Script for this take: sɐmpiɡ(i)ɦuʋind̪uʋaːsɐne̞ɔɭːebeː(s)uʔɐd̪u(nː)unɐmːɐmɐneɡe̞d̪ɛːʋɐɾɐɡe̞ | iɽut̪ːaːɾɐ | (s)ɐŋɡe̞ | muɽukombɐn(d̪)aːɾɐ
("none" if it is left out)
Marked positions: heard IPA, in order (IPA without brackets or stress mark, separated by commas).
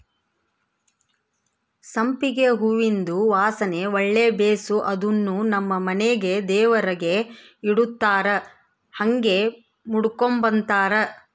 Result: e, s, nː, h, t̪